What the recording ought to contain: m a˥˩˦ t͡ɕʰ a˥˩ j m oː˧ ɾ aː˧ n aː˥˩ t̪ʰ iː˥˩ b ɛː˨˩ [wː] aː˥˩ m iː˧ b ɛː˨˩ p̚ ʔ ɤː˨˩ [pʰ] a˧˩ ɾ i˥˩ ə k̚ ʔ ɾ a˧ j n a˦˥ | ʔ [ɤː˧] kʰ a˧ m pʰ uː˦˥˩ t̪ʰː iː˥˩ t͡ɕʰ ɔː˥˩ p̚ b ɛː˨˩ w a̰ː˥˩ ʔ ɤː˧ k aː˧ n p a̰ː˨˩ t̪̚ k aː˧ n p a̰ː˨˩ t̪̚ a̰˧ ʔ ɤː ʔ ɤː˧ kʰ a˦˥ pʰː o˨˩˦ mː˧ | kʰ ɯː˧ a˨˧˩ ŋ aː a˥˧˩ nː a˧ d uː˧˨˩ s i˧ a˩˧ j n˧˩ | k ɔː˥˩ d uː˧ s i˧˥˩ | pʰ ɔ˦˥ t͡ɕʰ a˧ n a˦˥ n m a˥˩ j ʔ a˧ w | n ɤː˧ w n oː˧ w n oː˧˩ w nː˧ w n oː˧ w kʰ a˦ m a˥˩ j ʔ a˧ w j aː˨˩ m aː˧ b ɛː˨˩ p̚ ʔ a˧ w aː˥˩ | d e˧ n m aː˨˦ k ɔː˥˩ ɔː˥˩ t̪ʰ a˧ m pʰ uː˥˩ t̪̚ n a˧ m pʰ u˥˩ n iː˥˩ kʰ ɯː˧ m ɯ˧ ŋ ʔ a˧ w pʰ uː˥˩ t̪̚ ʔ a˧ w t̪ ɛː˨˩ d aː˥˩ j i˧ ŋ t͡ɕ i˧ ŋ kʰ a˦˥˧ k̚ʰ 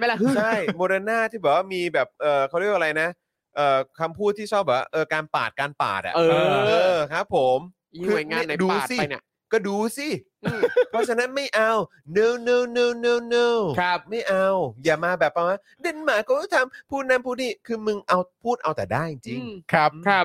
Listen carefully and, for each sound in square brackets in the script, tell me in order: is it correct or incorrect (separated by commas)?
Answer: incorrect, incorrect, incorrect